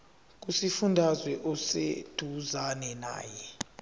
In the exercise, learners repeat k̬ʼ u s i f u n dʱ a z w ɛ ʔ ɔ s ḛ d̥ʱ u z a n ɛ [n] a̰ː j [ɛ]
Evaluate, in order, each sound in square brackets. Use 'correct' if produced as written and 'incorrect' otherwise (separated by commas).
correct, correct